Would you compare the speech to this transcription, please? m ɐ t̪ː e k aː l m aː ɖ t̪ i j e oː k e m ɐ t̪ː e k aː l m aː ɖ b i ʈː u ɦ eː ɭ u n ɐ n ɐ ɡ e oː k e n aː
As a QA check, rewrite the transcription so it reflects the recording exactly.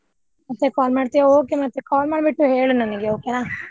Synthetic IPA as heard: m ɐ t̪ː e k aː l m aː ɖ t̪ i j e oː k e m ɐ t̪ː e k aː l m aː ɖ b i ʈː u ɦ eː ɭ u n ɐ n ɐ ɡ e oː k e n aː